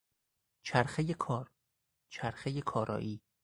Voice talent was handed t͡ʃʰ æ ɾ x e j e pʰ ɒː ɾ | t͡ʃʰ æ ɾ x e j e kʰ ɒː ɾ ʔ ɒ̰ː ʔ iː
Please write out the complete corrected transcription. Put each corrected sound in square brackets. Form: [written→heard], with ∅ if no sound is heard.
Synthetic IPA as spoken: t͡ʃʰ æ ɾ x e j e [pʰ→kʰ] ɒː ɾ | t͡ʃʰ æ ɾ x e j e kʰ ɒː ɾ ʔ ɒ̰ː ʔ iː